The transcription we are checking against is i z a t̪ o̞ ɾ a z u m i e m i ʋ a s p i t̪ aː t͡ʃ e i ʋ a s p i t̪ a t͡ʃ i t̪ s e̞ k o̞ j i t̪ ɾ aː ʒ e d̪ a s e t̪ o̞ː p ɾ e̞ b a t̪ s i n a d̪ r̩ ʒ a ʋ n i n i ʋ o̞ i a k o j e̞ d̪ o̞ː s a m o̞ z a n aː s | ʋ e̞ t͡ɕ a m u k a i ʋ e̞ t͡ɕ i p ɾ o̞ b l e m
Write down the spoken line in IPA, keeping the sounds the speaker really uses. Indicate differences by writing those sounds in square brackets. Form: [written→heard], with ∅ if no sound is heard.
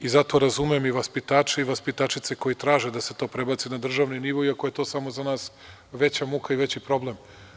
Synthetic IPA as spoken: i z a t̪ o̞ ɾ a z u m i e m i ʋ a s p i t̪ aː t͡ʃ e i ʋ a s p i t̪ a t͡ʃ i t̪ s e̞ k o̞ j i t̪ ɾ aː ʒ e d̪ a s e t̪ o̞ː p ɾ e̞ b a t̪ s i n a d̪ r̩ ʒ a ʋ n i n i ʋ o̞ i a k o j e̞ [d̪→t̪] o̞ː s a m o̞ z a n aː s | ʋ e̞ t͡ɕ a m u k a i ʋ e̞ t͡ɕ i p ɾ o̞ b l e m